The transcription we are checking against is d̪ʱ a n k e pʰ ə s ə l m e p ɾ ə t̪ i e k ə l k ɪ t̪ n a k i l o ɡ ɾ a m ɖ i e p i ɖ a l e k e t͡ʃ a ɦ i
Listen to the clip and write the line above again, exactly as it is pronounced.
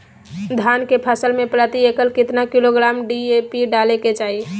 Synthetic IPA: d̪ʱ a n k e pʰ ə s ə l m e p ɾ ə t̪ i e k ə l k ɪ t̪ n a k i l o ɡ ɾ a m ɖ i e p i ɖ a l e k e t͡ʃ a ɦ i